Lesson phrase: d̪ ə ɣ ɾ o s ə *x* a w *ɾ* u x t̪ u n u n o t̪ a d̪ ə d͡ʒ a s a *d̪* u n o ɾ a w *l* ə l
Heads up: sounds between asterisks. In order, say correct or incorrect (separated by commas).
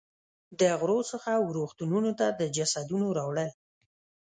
correct, correct, correct, incorrect